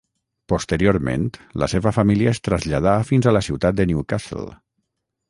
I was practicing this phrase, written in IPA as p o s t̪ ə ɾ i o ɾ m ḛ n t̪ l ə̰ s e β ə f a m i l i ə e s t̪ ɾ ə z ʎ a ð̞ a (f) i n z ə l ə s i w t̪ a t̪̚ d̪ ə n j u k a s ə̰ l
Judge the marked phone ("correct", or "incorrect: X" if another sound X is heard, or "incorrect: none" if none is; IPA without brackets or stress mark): correct